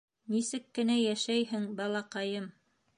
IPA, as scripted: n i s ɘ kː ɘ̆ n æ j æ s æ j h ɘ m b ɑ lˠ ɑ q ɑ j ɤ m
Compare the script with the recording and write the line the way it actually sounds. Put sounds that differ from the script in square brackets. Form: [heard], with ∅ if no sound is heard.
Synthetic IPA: n i s ɘ kː ɘ̆ n æ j æ [ʃ] æ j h ɘ [ŋ] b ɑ lˠ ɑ q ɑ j ɤ m

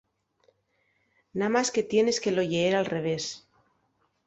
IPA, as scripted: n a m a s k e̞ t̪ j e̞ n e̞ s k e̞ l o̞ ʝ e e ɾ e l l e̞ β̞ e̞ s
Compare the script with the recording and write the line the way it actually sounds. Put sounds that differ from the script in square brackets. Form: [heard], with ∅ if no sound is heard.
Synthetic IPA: n a m a s k e̞ t̪ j e̞ n e̞ s k e̞ l o̞ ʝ e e ɾ [a] l [r] e̞ β̞ e̞ s

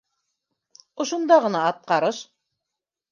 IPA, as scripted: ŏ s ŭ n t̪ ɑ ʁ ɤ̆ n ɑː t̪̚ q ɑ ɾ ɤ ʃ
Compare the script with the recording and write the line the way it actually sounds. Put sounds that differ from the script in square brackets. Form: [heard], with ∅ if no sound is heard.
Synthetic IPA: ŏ [ʃ] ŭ n [d̪] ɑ ʁ ɤ̆ n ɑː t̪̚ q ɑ ɾ ɤ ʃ

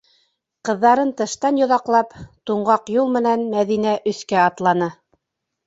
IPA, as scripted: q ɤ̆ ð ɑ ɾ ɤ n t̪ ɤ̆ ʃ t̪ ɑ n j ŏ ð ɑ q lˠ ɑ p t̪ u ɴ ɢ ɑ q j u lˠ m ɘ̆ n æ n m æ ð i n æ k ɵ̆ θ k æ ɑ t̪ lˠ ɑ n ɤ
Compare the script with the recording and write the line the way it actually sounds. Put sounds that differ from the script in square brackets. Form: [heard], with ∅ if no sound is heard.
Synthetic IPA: q ɤ̆ [ðː] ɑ ɾ ɤ n t̪ ɤ̆ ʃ t̪ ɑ n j ŏ ð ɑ q lˠ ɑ p t̪ u ɴ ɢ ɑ q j u lˠ m ɘ̆ n æ n m æ ð i n æ [ʔ] ɵ̆ θ k æ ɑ t̪ lˠ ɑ n ɤ

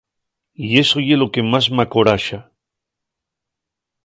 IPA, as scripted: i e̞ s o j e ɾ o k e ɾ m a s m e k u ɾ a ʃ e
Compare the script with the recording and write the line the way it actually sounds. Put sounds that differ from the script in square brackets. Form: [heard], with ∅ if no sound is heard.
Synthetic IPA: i e̞ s o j e [l] o k e [∅] m a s m [a] k [o] ɾ a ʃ [a]

